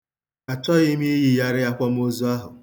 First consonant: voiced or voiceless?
voiceless